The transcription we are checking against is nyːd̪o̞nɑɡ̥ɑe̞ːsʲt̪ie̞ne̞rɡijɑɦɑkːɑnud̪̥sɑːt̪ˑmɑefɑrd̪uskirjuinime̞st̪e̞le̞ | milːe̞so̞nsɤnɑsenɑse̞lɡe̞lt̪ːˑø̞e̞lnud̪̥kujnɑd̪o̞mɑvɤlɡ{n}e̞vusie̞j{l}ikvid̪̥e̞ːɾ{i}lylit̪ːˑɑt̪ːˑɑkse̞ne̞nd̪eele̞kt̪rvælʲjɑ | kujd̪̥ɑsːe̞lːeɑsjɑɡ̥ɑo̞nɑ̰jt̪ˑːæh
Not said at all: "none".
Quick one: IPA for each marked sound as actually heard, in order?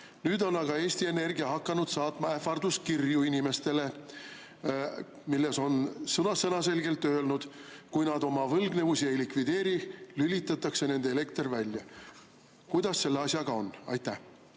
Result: n, l, i

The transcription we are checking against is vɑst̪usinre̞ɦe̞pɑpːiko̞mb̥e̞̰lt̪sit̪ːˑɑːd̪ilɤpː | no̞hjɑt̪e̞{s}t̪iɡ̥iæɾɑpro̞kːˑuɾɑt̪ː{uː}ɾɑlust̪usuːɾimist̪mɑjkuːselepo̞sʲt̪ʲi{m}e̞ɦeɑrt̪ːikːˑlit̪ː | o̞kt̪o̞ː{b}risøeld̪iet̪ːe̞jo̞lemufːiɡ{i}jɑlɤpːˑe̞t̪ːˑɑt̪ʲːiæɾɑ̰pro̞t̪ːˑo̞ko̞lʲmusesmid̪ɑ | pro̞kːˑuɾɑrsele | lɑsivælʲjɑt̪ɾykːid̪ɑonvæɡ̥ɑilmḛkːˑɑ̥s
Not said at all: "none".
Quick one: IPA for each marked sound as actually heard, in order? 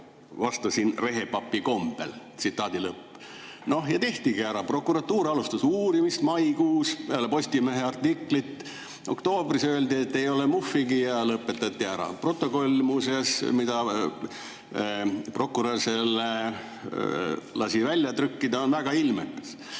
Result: h, uː, m, b, i

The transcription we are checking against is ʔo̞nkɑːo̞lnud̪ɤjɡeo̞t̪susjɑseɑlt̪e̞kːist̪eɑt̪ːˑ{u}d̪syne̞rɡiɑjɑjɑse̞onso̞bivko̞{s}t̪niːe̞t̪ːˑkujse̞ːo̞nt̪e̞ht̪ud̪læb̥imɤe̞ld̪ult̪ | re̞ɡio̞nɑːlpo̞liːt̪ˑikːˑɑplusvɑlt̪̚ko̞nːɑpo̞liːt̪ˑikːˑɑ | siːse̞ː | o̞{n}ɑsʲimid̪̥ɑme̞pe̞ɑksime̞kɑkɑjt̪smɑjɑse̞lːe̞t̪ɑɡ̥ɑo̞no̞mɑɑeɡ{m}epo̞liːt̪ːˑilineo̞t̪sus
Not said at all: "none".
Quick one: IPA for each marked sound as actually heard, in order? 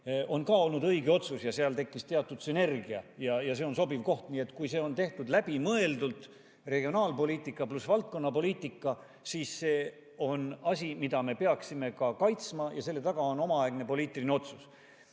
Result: u, h, n, n

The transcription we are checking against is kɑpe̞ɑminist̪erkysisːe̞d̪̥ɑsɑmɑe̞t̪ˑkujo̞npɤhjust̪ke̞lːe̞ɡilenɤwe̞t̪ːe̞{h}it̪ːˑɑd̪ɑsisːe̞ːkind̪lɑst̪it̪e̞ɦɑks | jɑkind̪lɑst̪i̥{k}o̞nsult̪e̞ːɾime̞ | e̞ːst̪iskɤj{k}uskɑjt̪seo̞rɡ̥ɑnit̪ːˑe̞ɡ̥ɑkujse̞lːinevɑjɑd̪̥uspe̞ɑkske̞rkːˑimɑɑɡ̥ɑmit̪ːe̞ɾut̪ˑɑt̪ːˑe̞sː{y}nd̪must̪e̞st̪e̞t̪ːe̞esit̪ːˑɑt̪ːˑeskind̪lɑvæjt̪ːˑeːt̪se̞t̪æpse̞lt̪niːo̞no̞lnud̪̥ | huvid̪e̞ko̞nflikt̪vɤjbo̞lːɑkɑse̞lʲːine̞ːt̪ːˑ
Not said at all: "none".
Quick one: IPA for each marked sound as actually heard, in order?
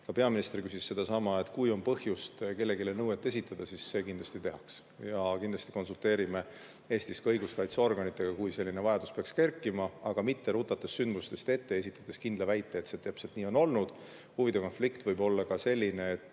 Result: s, k, ɡ, y

